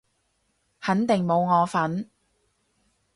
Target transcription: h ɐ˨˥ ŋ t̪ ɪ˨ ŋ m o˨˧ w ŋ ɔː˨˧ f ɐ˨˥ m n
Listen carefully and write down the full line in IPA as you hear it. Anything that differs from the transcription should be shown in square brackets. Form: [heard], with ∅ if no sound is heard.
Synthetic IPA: h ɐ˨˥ [n] t̪ ɪ˨ ŋ m o˨˧ w ŋ ɔː˨˧ f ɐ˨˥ [∅] n